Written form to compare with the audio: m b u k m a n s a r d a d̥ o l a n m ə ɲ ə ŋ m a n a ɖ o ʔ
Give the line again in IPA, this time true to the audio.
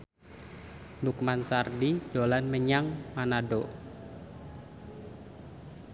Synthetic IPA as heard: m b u k m a n s a r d i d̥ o l a n m ə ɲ a ŋ m a n a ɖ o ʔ

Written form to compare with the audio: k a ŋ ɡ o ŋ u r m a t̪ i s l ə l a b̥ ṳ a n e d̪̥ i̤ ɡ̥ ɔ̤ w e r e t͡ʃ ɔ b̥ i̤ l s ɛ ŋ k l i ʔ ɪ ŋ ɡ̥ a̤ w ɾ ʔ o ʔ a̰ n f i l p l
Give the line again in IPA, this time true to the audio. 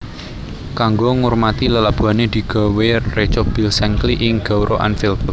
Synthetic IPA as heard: k a ŋ ɡ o ŋ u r m a t̪ i l ə l a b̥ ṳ a n e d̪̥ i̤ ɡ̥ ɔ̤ w e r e t͡ʃ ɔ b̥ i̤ l s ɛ ŋ k l i ʔ ɪ ŋ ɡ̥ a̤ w ɾ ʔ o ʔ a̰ n f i l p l

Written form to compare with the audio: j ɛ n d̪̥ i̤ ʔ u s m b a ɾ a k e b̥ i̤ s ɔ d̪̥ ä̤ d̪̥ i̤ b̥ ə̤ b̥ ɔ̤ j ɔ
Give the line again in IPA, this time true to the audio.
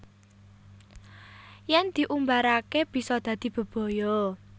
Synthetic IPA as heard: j ɛ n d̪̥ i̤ ʔ u m b a ɾ a k e b̥ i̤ s ɔ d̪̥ ä̤ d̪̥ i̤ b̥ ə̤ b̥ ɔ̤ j ɔ

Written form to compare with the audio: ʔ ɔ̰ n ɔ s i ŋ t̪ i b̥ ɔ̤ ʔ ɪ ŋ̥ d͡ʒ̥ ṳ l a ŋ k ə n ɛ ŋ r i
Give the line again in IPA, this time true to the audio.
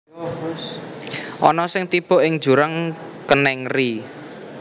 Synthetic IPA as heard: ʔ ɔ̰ n ɔ s ɪ ŋ t̪ i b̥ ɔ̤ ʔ ɪ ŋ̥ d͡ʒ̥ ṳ ɾ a ŋ k ə n ɛ ŋ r i

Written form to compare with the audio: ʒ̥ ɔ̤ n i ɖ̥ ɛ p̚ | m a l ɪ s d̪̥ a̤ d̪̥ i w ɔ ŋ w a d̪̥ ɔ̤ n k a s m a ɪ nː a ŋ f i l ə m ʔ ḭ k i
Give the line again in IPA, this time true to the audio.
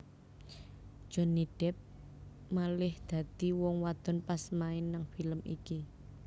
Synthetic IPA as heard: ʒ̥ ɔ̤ n i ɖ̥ ɛ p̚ | m a l ɪ h d̪̥ a̤ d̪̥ i w ɔ ŋ w a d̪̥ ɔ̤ n p a s m a ɪ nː a ŋ f i l ə m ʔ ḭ k i

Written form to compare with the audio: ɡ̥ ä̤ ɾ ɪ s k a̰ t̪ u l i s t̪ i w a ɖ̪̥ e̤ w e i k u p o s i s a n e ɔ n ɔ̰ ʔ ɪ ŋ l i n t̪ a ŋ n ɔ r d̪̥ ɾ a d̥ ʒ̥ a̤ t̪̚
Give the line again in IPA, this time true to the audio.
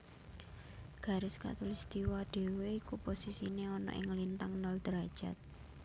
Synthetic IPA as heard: ɡ̥ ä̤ ɾ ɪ s k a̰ t̪ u l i s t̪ i w a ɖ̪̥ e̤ w e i k u p o s i s i n e ɔ n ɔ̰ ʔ ɪ ŋ l i n t̪ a ŋ n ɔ l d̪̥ ɾ a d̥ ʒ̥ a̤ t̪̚

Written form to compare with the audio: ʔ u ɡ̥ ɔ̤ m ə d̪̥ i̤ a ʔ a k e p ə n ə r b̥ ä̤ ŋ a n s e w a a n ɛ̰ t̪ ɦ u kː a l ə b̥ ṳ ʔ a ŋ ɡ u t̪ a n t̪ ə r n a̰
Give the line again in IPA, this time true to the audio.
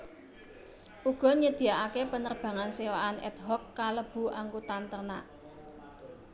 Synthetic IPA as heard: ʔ u ɡ̥ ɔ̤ ɲ ə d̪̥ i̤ a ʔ a k e p ə n ə r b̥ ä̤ ŋ a n s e w a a n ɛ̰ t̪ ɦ ɔ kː a l ə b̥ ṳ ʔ a ŋ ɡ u t̪ a n t̪ ə r n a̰

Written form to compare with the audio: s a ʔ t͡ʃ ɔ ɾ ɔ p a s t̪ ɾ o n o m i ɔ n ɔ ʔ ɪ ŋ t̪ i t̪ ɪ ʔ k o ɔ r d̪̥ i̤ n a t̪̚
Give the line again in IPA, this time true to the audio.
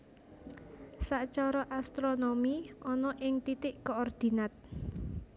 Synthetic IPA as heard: s a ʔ t͡ʃ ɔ ɾ ɔ ʔ a s t̪ ɾ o n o m i ɔ n ɔ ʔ ɪ ŋ t̪ i t̪ ɪ ʔ k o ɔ r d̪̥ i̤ n a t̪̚

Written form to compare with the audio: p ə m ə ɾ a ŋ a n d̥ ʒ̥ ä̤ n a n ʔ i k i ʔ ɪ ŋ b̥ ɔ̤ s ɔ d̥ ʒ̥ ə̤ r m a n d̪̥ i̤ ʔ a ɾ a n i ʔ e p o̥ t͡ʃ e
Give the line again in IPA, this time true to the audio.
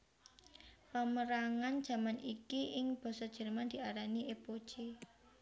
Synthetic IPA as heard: p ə m ə ɾ a ŋ a n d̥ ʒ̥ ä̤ m a n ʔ i k i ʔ ɪ ŋ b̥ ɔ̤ s ɔ d̥ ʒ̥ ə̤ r m a n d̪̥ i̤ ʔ a ɾ a n i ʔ e p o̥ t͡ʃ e

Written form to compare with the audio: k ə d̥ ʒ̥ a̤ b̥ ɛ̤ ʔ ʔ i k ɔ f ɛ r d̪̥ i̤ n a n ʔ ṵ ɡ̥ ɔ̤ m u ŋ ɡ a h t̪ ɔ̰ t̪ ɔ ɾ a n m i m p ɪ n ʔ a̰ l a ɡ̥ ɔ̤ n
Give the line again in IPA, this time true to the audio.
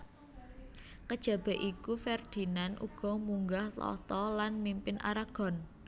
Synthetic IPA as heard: k ə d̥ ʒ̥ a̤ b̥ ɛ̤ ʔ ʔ i k u f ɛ r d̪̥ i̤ n a n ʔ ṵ ɡ̥ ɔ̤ m u ŋ ɡ a h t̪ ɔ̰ t̪ ɔ l a n m i m p ɪ n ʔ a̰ ɾ a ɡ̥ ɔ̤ n

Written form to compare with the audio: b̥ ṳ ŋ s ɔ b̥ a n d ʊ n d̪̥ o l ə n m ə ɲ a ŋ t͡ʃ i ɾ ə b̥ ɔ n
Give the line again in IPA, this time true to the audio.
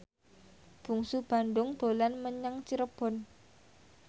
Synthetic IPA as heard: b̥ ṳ ŋ s u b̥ a n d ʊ ŋ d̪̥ o l a n m ə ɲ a ŋ t͡ʃ i ɾ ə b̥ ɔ n

